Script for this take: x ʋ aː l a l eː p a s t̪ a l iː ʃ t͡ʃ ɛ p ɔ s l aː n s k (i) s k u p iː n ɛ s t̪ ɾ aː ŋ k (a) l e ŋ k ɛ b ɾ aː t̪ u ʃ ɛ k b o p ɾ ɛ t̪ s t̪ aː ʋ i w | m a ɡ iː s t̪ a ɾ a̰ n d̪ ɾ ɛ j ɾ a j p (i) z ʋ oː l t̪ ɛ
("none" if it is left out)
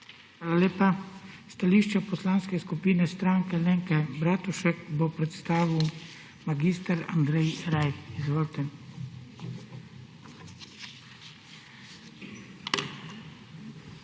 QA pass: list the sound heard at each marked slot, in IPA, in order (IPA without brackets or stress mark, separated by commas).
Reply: ɛ, ɛ, i